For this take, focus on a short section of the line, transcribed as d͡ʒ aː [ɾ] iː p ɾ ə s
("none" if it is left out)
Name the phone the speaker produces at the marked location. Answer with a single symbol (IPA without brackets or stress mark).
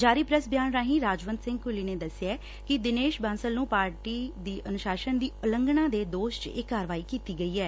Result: ɾ